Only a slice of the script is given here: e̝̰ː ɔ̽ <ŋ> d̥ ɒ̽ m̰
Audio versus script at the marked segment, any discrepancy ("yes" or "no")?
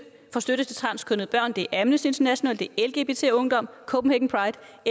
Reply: no